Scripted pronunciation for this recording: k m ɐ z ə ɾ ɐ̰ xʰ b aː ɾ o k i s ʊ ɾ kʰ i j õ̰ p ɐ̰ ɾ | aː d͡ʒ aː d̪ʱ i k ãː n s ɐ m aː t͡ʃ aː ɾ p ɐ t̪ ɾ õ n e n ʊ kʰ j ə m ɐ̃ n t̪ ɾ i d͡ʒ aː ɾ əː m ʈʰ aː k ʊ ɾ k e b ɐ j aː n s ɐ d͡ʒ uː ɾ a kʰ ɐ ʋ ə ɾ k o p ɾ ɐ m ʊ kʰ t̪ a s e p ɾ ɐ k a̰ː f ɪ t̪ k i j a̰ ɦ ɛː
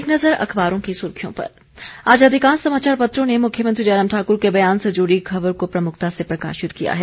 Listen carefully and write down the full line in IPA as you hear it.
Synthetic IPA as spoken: k n ɐ z ə ɾ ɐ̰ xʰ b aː ɾ õ k i s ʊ ɾ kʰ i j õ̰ p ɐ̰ ɾ | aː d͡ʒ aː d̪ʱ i k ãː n s ɐ m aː t͡ʃ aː ɾ p ɐ t̪ ɾ õ n e m ʊ kʰ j ə m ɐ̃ n t̪ ɾ i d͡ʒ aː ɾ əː m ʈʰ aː k ʊ ɾ k e b ɐ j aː n s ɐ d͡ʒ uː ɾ i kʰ ɐ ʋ ə ɾ k o p ɾ ɐ m ʊ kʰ t̪ a s e p ɾ ɐ k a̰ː ʃ ɪ t̪ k i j a̰ ɦ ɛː